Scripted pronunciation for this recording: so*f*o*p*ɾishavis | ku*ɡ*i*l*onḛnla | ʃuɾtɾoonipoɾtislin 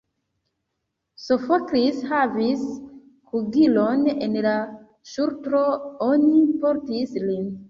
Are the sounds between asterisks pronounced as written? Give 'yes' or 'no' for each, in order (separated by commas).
yes, no, yes, yes